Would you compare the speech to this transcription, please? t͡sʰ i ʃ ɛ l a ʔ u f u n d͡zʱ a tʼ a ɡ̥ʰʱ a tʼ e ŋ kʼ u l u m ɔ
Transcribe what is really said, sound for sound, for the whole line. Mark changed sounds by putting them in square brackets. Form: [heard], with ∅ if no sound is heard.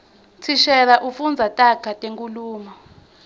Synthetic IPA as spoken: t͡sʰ i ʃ ɛ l a ʔ u f u n d͡zʱ a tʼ a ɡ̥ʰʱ a tʼ e ŋ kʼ u l [uː] m ɔ

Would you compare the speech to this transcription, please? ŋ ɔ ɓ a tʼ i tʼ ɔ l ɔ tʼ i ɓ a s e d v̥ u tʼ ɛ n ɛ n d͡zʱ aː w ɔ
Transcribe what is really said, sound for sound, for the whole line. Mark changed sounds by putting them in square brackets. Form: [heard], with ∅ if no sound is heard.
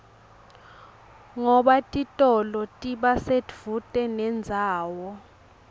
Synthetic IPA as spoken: ŋ ɔ ɓ a tʼ i tʼ ɔ l ɔ tʼ i ɓ a s e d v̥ u tʼ ɛ n ɛ n d͡zʱ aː w ɔ

